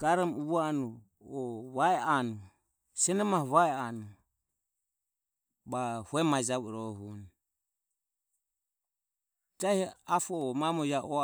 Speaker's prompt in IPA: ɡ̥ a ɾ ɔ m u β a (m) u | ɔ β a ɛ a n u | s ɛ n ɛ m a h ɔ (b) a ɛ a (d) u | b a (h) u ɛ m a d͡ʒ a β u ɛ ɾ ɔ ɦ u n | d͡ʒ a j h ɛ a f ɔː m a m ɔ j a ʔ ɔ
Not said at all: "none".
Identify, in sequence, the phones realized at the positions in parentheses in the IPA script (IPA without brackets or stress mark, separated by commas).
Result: n, β, n, h